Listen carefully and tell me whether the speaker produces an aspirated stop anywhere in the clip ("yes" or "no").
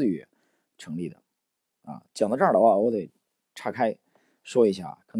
yes